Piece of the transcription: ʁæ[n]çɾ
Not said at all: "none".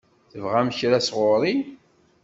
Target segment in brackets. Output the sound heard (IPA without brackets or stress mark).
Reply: m